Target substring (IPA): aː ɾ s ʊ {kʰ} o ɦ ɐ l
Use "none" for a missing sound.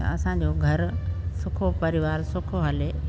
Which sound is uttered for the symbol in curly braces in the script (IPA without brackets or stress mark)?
kʰ